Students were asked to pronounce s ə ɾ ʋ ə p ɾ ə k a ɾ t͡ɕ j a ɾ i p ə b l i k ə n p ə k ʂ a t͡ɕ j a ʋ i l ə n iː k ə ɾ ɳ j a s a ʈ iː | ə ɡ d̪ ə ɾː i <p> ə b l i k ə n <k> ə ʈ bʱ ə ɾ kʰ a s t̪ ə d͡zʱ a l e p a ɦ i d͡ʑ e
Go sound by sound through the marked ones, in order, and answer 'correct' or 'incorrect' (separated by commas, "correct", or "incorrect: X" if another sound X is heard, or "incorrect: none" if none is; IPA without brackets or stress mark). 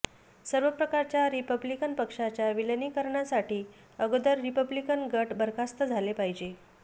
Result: correct, incorrect: ɡ